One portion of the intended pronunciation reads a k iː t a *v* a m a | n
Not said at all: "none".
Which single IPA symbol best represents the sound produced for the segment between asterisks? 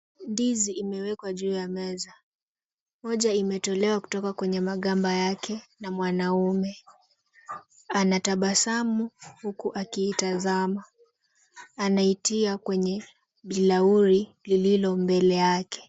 z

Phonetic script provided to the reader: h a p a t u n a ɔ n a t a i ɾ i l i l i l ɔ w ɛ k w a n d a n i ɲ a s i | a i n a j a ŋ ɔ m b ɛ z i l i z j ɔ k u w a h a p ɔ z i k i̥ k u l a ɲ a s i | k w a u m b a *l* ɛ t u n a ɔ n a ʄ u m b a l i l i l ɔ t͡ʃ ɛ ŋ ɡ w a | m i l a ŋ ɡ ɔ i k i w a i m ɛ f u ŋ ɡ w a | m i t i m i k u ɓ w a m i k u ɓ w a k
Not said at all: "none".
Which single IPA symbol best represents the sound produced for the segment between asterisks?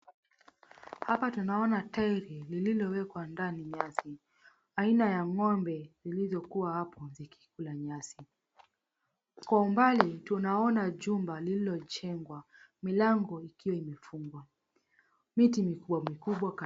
l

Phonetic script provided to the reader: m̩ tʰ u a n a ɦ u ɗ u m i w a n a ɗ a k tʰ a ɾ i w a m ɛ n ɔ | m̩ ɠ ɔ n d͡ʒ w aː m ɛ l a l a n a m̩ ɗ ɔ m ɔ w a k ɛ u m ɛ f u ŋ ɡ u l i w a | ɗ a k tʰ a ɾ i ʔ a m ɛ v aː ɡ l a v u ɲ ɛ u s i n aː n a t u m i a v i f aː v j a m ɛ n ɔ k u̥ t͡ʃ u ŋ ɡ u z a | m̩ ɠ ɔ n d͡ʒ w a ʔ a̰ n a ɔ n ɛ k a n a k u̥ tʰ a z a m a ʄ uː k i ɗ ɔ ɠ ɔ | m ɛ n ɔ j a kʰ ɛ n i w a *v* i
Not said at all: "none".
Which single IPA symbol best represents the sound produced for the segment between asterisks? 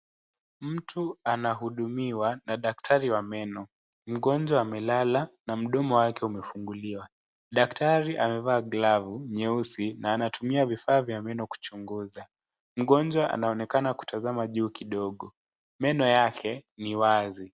z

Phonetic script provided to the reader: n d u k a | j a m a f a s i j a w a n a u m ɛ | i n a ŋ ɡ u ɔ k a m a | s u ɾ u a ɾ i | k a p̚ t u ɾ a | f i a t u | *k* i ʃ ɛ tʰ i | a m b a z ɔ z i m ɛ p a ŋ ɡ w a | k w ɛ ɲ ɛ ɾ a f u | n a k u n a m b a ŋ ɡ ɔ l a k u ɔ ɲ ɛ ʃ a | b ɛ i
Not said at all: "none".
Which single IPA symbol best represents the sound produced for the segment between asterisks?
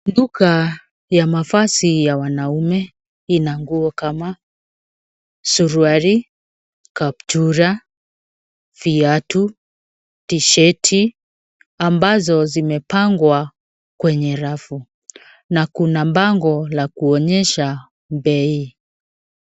t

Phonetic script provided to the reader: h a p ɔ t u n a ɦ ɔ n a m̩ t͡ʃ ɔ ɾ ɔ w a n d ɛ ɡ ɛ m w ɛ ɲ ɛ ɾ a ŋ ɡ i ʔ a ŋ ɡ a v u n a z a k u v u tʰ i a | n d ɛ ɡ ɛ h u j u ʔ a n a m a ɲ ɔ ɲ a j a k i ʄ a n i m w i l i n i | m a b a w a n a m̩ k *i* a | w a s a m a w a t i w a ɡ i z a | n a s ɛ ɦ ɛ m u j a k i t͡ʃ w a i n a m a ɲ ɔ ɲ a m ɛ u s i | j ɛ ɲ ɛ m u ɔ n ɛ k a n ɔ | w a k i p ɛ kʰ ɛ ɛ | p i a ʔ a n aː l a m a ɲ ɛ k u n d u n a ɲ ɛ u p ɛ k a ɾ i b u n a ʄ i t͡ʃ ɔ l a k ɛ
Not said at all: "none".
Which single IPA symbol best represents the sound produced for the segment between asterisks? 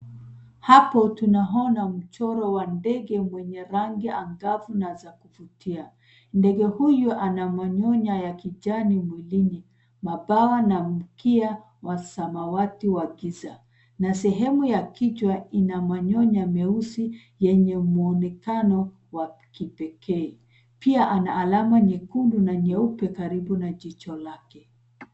i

